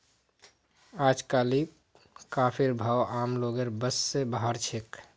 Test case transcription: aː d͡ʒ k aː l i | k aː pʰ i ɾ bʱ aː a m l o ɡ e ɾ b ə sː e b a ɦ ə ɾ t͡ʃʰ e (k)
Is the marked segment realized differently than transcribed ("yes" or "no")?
no